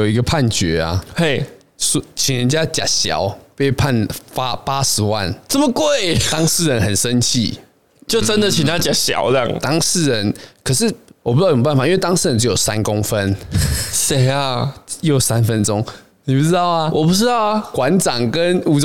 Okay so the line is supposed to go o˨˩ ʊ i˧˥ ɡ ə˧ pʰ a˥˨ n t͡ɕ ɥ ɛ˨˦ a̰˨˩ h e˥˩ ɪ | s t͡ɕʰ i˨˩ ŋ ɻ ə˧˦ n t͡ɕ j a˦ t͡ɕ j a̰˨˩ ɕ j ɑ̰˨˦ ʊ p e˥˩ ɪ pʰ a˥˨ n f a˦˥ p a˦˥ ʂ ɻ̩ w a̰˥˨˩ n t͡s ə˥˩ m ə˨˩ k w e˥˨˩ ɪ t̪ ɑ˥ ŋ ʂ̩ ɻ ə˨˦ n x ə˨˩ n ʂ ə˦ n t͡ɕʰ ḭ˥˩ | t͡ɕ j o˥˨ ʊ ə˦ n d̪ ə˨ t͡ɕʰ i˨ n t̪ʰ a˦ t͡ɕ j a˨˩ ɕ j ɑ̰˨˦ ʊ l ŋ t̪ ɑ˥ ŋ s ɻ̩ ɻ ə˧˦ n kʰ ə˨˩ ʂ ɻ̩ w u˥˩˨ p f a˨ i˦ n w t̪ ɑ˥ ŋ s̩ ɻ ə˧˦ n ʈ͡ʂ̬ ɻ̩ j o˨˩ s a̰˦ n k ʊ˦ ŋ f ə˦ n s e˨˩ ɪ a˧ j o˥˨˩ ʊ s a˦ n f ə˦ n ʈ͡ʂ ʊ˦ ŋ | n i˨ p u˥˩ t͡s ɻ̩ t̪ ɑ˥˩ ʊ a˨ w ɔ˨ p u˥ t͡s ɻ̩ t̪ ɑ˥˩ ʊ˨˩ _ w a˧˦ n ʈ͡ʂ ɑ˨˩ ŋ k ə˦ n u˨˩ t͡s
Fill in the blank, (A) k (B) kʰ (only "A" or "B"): A